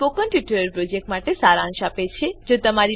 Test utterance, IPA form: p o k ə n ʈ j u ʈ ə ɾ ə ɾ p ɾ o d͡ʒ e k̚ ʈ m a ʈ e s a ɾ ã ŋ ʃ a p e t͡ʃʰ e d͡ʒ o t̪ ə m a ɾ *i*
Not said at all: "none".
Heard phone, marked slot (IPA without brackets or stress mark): i